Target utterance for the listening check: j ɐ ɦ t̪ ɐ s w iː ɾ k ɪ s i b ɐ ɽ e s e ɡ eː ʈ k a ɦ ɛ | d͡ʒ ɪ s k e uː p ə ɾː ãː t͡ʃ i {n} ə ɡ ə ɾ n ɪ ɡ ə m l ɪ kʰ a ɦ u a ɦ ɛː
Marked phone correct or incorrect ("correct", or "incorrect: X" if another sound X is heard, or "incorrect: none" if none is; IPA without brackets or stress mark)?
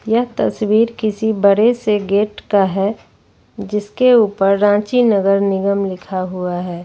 correct